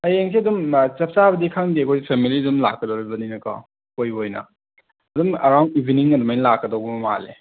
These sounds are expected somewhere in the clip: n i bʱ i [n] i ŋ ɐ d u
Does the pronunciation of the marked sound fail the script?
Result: no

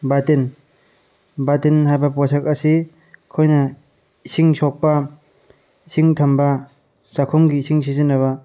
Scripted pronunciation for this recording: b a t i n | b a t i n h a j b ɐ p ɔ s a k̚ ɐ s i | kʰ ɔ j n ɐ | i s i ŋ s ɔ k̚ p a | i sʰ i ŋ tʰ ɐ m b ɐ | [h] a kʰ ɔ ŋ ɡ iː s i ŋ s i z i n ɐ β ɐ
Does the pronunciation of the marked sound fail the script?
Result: yes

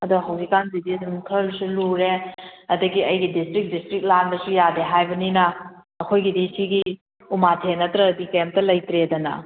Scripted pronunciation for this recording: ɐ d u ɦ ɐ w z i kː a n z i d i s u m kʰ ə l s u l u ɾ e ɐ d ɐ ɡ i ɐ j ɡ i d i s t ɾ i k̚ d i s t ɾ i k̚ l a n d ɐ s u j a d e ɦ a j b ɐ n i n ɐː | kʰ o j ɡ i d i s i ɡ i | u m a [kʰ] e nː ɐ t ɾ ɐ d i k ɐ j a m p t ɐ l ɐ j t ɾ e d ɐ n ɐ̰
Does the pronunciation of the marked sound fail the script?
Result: yes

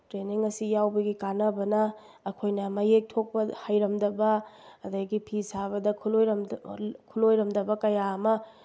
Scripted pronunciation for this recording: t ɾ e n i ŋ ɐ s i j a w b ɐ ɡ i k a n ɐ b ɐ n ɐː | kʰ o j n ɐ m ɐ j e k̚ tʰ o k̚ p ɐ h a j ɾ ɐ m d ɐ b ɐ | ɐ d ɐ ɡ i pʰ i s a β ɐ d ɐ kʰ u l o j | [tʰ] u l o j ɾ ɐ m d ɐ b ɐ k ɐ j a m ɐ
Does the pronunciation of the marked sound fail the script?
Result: yes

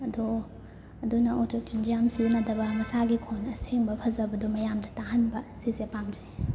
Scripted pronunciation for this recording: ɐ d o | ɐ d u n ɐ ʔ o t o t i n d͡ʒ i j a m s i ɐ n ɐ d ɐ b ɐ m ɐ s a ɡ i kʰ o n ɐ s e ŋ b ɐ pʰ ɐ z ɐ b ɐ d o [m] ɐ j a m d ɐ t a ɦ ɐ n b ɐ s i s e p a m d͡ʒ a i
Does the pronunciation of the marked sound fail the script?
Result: no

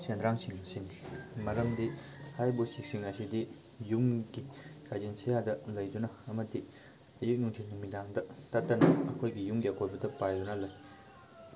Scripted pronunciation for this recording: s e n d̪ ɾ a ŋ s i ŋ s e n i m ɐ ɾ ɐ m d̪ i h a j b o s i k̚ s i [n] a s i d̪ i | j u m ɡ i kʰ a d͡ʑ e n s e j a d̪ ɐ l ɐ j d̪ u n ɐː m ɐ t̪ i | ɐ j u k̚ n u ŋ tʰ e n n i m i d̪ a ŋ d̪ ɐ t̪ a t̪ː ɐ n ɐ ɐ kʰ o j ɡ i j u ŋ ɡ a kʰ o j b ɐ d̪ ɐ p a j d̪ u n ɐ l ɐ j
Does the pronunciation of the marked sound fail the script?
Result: yes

